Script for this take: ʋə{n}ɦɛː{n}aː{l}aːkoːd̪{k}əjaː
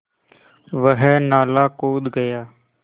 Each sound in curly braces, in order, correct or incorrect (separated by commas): incorrect, correct, correct, incorrect